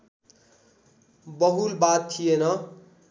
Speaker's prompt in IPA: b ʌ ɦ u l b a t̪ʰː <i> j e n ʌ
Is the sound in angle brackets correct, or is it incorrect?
correct